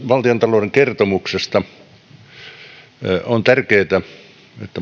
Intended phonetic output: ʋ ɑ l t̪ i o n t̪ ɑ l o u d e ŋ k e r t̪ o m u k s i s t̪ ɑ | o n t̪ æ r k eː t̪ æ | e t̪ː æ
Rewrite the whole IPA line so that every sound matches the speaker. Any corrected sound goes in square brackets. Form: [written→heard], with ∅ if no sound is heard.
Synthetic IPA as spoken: ʋ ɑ l t̪ i o n t̪ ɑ l o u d e ŋ k e r t̪ o m u k s [i→e] s t̪ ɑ | o n t̪ æ r k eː t̪ æ | e t̪ː æ